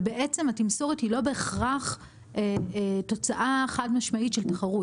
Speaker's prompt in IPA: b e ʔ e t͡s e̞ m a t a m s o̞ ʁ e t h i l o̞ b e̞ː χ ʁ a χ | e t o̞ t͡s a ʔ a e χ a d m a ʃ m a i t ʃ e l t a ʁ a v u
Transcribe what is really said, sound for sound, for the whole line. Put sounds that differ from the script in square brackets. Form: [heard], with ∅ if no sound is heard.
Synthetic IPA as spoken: b e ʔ e t͡s e̞ m a t [i] m s o̞ ʁ e t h i l o̞ b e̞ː χ ʁ a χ | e t o̞ t͡s a ʔ a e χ a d m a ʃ m a i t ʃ e l t a [χ] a [ʁ] u